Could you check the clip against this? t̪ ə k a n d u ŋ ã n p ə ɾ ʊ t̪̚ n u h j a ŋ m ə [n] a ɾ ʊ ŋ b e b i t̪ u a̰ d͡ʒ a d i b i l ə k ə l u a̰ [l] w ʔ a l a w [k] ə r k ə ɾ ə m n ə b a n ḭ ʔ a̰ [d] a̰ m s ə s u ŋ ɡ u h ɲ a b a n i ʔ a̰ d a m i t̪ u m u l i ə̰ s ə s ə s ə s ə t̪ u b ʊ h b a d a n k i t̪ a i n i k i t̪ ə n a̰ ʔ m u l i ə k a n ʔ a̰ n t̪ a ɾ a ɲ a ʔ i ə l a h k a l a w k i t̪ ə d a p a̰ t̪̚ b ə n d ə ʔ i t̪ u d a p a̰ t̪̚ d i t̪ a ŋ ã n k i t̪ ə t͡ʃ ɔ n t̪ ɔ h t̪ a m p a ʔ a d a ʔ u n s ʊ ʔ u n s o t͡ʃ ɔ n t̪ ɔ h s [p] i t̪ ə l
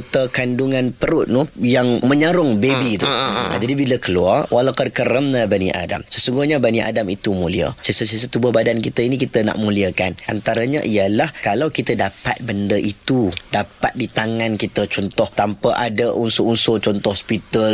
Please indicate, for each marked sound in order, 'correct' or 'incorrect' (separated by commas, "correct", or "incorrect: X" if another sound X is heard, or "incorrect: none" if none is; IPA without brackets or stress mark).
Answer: incorrect: ɲ, incorrect: r, correct, correct, correct